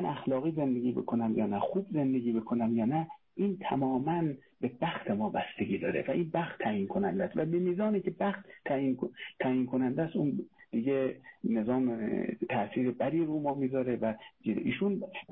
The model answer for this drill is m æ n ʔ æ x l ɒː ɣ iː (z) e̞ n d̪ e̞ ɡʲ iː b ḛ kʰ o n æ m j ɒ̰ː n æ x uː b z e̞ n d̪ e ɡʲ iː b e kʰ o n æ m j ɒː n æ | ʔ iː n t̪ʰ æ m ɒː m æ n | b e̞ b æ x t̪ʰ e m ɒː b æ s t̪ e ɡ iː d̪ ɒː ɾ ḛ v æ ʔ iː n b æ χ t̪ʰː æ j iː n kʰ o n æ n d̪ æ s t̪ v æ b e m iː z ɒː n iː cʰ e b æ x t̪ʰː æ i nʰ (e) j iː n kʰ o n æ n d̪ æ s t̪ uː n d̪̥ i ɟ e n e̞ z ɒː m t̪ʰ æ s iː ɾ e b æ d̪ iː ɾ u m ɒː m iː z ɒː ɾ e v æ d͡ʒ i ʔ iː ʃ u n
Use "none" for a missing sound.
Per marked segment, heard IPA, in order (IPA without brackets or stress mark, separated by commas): z, æ